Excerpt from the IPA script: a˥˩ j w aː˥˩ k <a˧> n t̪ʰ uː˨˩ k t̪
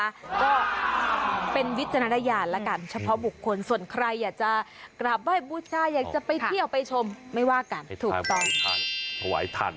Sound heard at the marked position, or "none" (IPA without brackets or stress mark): a˧